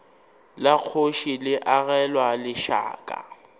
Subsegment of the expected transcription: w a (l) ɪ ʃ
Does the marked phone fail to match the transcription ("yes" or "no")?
no